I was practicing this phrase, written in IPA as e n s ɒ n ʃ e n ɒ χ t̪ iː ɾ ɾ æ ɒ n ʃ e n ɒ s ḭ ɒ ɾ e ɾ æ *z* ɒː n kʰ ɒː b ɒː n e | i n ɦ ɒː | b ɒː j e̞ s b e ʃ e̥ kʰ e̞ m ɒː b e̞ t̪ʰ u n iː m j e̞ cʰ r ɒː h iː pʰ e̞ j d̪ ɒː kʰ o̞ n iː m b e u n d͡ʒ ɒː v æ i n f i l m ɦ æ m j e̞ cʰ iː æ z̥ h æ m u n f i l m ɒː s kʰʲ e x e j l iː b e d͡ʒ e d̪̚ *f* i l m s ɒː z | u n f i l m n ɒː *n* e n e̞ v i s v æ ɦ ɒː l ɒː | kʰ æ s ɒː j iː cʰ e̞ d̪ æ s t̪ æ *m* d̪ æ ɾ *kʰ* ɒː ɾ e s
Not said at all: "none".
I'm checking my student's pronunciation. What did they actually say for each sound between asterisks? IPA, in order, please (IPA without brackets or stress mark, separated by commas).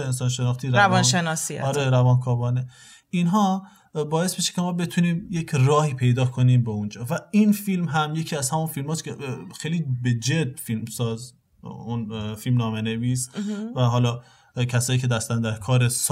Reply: v, f, m, n, kʰ